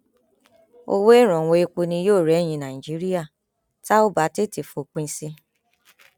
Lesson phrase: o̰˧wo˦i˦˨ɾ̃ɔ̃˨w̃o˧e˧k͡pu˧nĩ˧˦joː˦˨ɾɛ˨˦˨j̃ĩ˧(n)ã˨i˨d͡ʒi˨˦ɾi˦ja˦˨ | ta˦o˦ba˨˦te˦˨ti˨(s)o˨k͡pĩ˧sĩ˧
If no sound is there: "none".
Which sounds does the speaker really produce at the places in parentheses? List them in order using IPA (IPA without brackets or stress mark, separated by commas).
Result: n, f